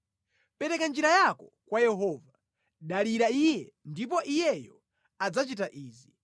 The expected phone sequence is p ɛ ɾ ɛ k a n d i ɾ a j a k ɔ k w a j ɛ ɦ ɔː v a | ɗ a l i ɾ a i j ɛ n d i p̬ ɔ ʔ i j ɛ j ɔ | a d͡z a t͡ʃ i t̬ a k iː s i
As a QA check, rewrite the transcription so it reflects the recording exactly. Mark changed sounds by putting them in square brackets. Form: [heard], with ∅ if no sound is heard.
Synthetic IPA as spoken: p ɛ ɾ ɛ k a n [d͡ʒ] i ɾ a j a k ɔ k w a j ɛ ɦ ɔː v a | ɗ a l i ɾ a i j ɛ n d i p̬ ɔ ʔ i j ɛ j ɔ | a d͡z a t͡ʃ i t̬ a [ʔ] iː [z] i